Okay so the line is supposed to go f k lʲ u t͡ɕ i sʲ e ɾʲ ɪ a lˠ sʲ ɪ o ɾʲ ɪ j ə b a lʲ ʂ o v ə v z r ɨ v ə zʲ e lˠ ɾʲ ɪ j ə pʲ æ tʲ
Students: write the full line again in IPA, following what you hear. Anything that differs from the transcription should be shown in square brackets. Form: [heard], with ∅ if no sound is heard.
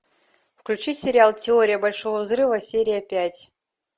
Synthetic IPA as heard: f k lʲ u t͡ɕ i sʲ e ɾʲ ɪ a lˠ [tʲ] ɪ o ɾʲ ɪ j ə b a lʲ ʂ o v ə v z r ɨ v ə [sʲ] e [∅] ɾʲ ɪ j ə pʲ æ tʲ